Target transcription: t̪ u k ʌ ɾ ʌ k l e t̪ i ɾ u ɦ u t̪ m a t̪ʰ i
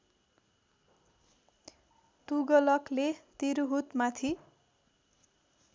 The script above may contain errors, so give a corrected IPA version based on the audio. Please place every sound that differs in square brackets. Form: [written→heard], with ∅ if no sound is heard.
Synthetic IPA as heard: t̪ u [k→ɡ] ʌ [ɾ→l] ʌ k l e t̪ i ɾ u ɦ u t̪ m a t̪ʰ i